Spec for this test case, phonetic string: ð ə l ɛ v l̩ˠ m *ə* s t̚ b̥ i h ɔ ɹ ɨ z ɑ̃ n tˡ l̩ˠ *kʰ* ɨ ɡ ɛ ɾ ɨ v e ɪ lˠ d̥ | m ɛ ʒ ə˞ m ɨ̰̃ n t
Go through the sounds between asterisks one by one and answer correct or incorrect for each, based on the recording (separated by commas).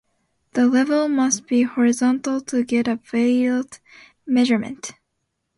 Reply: incorrect, incorrect